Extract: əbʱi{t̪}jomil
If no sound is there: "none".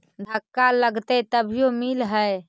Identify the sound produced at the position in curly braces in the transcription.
none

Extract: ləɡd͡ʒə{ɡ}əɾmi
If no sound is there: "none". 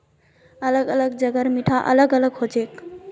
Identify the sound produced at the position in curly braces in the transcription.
ɡ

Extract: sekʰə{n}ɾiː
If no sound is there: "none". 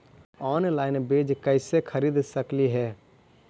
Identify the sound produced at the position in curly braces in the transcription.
none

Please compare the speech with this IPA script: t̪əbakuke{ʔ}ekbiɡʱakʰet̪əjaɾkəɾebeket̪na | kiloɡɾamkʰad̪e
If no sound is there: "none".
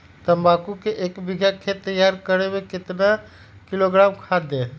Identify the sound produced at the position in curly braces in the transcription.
ʔ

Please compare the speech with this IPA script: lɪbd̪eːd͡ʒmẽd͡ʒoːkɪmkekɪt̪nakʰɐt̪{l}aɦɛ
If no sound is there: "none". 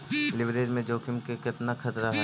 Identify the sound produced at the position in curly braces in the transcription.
ɾ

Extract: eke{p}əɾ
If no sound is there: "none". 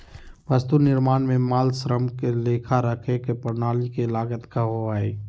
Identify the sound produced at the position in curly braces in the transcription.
p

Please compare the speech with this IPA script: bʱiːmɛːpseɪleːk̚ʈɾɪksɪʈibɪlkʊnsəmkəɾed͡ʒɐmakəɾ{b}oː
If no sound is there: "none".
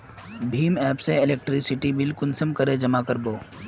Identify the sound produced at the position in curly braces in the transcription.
b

